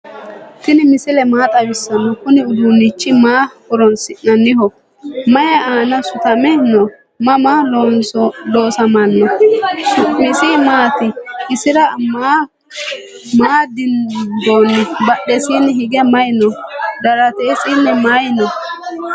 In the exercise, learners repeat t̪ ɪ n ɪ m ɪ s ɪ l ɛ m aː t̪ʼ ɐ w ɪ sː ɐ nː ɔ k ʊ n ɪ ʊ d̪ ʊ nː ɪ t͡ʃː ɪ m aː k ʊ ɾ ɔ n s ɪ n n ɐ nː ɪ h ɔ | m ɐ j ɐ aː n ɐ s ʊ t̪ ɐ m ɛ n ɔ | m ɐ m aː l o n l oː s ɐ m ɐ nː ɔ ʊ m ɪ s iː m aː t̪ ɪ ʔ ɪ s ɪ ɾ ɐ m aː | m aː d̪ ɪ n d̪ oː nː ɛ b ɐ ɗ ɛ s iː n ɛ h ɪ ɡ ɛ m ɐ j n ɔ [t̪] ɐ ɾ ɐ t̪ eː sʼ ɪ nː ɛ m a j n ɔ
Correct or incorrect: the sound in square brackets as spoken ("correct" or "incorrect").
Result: incorrect